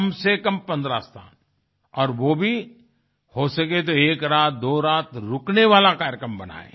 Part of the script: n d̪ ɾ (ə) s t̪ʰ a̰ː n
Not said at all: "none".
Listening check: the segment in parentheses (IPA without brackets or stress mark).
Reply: a